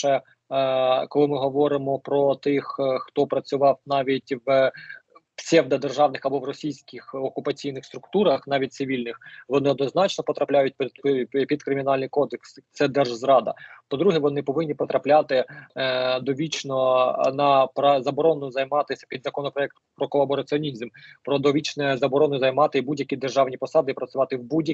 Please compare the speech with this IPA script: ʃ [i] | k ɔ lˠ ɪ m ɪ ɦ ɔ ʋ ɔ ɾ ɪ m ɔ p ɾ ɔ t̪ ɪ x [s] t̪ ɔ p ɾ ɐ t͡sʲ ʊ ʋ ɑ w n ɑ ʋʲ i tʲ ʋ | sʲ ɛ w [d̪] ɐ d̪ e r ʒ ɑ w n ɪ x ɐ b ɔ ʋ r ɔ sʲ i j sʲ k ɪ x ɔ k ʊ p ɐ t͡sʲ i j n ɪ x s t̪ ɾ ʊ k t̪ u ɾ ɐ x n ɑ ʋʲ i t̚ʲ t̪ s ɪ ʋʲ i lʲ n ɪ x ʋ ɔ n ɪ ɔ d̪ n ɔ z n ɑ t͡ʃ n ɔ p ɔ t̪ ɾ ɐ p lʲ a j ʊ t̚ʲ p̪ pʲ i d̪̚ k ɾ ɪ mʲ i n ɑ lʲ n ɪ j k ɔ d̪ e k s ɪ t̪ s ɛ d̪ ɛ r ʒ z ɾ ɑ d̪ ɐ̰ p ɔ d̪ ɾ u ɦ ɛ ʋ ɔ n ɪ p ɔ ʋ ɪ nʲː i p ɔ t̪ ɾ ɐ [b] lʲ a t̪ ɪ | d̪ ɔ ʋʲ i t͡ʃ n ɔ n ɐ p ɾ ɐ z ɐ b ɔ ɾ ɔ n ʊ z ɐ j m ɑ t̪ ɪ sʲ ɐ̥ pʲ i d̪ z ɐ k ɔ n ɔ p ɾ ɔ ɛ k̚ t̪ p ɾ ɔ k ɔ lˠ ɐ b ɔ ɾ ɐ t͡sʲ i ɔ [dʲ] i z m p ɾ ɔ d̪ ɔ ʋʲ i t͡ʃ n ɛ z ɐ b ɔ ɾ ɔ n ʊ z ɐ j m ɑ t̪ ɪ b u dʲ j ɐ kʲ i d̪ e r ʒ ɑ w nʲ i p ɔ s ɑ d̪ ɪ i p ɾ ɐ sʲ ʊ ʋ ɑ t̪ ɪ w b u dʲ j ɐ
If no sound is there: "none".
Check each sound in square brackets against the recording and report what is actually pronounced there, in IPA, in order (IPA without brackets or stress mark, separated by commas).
ɛ, x, d̪, p, nʲ